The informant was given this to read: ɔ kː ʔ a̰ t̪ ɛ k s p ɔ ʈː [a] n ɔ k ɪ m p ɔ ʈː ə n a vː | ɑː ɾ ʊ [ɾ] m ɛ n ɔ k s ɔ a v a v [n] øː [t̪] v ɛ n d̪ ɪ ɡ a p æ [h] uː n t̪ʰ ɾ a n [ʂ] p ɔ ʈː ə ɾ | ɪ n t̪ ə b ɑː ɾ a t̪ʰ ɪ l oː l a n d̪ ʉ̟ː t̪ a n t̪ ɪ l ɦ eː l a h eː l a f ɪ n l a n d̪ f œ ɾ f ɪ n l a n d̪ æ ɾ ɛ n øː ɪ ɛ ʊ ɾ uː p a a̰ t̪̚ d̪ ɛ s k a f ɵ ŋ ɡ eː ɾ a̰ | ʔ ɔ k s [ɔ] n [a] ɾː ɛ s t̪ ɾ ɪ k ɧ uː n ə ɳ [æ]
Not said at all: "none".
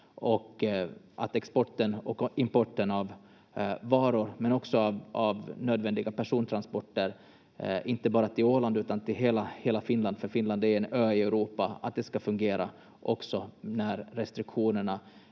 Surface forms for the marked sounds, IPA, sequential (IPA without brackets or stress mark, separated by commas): ə, ɾ, n, d̪, ʂ, s, ɔ, æ, a